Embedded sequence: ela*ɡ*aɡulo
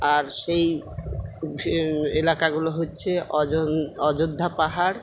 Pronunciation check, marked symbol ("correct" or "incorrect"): incorrect